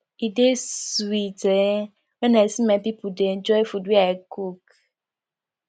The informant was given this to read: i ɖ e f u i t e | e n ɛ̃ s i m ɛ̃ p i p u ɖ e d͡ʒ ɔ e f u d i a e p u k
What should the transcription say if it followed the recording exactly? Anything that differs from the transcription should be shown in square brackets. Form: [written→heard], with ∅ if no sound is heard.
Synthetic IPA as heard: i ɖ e [f→s] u i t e | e n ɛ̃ s i m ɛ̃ p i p u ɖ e d͡ʒ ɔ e f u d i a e [p→k] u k